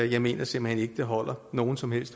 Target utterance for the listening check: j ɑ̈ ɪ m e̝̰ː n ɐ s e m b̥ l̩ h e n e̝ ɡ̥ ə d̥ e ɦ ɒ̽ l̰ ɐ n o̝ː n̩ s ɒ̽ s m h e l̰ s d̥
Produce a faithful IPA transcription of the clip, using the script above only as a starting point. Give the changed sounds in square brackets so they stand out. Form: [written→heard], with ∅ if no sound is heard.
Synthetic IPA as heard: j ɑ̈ ɪ m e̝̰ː n ɐ s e m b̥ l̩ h e n e̝ ɡ̥ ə d̥ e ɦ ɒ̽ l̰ ɐ n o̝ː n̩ s ɒ̽ [s→∅] m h e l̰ s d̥